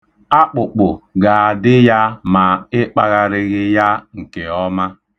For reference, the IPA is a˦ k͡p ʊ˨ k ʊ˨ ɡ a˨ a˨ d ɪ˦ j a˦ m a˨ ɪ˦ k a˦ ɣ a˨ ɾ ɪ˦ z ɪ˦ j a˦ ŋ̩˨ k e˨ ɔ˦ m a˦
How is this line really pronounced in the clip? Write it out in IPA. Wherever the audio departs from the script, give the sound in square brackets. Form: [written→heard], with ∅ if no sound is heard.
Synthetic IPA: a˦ k͡p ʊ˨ [k→k͡p] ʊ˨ ɡ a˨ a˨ d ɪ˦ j a˦ m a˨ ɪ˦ [k→k͡p] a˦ ɣ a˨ ɾ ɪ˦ [z→ɣ] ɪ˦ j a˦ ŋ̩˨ k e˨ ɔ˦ m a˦

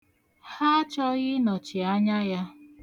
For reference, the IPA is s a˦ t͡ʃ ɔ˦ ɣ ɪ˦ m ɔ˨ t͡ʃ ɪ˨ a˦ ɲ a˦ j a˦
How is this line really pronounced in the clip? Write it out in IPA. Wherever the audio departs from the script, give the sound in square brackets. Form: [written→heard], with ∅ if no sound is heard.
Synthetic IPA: [s→h] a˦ t͡ʃ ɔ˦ ɣ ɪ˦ [m→n] ɔ˨ t͡ʃ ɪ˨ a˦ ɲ a˦ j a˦

